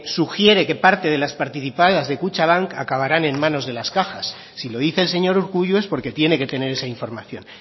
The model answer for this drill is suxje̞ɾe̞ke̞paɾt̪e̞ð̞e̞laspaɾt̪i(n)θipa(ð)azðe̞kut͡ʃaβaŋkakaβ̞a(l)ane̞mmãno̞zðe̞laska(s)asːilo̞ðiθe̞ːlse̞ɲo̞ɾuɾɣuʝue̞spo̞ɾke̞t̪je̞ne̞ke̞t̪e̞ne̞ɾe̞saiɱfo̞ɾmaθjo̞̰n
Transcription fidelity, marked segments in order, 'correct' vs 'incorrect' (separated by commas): incorrect, correct, incorrect, incorrect